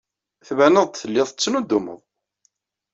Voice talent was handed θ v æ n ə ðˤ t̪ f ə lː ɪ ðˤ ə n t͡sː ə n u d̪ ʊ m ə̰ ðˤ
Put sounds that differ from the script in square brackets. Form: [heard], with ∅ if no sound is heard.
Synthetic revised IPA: θ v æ n ə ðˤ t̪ [θ] ə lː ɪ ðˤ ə [∅] t͡sː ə n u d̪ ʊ m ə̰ ðˤ